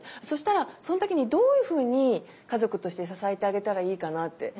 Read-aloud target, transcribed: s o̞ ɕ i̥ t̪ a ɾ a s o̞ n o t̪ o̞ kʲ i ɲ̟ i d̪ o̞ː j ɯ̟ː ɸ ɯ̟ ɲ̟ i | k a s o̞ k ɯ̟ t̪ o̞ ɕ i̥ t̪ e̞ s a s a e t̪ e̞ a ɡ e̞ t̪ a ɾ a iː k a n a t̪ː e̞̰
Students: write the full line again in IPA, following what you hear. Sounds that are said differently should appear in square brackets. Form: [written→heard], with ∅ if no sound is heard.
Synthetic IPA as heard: s o̞ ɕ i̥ t̪ a ɾ a s o̞ n o t̪ o̞ kʲ i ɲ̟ i d̪ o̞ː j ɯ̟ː ɸ [ɯ̟→ɯ̟ː] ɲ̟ i | k a [s→z] o̞ k ɯ̟ t̪ o̞ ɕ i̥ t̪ e̞ s a s a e t̪ e̞ a ɡ e̞ t̪ a ɾ a iː k a n a t̪ː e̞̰